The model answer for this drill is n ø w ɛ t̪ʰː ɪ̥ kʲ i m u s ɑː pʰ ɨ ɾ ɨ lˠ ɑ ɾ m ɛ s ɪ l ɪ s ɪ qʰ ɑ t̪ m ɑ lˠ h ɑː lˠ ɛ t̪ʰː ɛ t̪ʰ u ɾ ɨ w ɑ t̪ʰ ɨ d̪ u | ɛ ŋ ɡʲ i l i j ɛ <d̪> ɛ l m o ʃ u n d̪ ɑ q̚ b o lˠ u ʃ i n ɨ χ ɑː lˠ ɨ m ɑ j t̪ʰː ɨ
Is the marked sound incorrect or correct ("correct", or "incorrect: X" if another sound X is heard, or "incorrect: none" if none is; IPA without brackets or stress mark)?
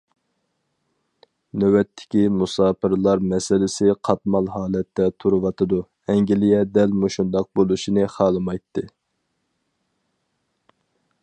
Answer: correct